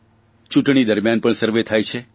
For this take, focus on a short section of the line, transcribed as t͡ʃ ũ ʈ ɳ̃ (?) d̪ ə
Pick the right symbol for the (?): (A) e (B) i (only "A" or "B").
B